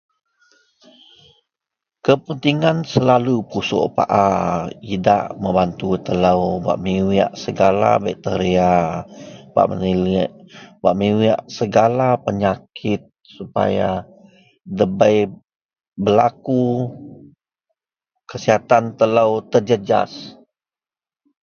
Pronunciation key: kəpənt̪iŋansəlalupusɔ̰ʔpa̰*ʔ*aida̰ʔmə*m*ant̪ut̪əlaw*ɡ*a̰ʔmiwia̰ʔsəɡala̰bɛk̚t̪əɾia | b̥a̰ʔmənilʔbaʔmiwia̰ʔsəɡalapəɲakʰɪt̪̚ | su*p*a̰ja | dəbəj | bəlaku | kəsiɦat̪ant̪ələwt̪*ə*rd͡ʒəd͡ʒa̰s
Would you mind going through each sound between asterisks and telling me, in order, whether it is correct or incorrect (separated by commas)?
correct, incorrect, incorrect, correct, correct